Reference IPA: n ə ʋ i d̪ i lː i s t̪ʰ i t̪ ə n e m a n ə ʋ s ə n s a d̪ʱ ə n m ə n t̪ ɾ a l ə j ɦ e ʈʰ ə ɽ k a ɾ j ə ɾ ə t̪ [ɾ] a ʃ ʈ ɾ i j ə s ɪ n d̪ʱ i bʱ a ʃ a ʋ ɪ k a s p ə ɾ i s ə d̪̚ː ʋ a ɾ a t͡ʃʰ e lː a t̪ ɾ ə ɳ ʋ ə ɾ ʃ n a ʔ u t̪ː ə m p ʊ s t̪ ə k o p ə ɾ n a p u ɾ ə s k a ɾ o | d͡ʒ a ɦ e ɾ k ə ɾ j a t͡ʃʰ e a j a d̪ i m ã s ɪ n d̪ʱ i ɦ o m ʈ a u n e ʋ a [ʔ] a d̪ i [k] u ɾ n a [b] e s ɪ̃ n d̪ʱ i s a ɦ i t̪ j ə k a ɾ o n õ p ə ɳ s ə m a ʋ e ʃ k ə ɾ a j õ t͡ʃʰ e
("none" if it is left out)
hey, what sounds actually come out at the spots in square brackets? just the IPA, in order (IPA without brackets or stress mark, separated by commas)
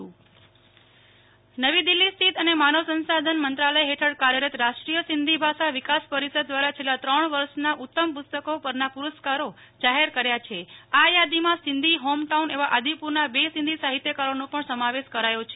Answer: ɾ, ʔ, p, b